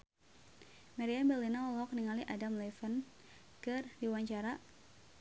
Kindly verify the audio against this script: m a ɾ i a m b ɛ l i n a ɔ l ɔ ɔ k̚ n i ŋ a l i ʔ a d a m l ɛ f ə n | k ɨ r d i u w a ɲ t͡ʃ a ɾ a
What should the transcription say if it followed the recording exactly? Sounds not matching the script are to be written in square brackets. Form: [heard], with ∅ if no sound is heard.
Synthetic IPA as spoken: m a ɾ i a m b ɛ l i n a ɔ l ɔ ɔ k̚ n i ŋ a l i ʔ a d a m l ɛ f ə n | k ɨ r d i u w a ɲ t͡ʃ a ɾ a